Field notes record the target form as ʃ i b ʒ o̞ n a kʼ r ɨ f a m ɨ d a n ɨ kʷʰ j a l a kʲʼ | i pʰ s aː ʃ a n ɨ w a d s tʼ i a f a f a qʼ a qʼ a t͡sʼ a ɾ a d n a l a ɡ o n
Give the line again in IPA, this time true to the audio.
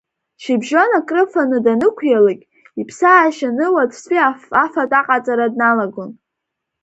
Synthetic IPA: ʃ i b ʒ o̞ n a kʼ r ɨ f a n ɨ d a n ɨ kʷʰ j a l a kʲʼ | i pʰ s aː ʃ a n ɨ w a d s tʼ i a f a f a tʼ a qʼ a t͡sʼ a ɾ a d n a l a ɡ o n